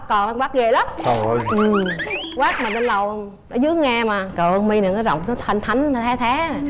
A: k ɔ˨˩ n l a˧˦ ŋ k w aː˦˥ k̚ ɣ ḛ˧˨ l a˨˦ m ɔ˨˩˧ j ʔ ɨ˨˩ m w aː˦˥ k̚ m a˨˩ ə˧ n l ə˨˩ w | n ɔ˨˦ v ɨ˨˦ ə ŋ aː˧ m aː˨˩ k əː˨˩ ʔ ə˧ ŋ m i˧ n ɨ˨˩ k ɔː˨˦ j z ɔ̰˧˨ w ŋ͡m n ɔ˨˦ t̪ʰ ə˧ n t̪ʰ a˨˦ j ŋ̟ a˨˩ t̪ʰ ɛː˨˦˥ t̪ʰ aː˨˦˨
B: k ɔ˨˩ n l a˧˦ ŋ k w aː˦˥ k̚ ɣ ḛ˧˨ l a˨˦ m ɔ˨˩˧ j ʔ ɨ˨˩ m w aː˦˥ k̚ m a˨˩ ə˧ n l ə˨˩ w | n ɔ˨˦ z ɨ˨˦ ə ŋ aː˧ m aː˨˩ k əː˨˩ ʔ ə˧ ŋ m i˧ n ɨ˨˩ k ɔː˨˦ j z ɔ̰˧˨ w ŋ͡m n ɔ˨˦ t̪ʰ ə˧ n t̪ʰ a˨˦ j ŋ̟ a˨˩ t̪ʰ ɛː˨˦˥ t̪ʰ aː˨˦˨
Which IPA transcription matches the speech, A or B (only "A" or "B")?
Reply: B